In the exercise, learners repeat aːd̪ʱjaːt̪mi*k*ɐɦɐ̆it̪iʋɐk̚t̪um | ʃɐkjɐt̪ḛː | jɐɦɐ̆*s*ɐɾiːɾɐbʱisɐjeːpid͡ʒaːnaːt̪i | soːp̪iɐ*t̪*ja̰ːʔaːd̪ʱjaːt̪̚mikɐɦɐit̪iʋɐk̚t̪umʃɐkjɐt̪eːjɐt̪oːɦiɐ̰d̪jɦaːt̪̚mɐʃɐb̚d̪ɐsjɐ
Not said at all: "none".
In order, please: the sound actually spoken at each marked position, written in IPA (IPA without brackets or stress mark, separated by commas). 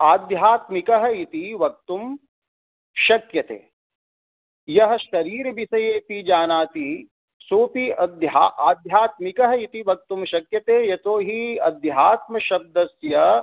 k, ʃ, d̪